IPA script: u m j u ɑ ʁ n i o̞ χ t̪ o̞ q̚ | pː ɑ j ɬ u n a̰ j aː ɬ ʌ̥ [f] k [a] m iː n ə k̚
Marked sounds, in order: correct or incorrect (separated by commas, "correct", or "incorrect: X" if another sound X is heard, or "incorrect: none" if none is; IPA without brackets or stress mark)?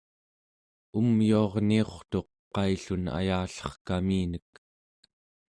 incorrect: χ, correct